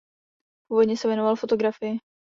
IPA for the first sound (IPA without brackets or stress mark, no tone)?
p